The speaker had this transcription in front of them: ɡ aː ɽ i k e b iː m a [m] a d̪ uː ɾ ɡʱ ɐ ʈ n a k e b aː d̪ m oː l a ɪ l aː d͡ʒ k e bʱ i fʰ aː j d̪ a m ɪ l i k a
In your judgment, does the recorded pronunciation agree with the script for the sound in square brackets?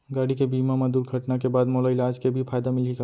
yes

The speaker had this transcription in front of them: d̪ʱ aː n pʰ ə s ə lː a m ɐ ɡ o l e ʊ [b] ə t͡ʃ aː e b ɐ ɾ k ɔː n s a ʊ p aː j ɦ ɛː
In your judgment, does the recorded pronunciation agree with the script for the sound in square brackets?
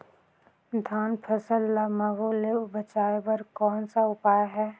yes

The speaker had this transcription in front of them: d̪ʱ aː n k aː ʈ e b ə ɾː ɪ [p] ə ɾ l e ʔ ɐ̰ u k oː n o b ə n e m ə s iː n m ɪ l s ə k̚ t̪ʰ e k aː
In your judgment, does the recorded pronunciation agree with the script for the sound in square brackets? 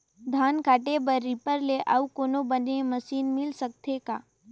yes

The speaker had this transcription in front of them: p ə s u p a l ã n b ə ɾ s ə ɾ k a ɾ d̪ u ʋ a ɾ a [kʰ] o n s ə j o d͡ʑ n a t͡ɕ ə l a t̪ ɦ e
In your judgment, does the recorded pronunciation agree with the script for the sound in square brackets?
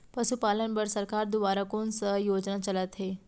no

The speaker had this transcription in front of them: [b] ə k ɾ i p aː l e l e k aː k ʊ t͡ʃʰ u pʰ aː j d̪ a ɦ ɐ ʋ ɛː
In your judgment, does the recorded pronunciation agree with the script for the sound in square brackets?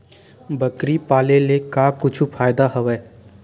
yes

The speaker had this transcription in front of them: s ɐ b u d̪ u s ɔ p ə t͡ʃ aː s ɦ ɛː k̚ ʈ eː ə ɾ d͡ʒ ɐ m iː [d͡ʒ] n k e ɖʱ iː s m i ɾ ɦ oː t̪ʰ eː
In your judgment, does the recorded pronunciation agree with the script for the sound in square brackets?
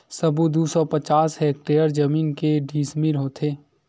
no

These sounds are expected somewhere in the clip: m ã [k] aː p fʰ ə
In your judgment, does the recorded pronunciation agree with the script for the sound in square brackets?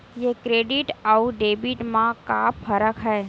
yes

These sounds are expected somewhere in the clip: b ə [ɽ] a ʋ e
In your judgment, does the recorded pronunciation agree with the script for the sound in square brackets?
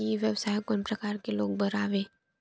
no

